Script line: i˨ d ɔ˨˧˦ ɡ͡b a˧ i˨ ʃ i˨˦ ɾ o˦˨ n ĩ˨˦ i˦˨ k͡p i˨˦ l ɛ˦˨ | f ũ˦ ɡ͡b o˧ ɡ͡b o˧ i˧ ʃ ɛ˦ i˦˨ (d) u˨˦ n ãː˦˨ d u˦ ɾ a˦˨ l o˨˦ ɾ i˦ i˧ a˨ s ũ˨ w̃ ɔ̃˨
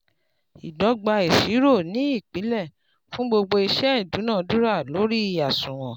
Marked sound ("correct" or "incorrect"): correct